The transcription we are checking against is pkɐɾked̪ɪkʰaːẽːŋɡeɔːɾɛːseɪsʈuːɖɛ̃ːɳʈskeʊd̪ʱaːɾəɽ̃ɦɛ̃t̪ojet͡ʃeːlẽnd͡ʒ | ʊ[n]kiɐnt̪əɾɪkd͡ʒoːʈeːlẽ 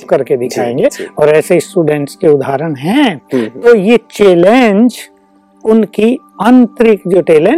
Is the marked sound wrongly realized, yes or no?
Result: no